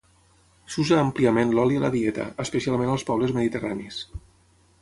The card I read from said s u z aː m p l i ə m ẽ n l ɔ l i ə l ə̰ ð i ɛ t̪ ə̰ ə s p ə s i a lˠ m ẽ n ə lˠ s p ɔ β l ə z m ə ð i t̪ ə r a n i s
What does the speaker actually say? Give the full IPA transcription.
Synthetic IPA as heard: s u z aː m p l i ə m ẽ n l ɔ l i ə l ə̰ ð i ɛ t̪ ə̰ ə s p ə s i a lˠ m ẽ n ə lˠ s p ɔ β l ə z m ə ð i t̪ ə r a n i s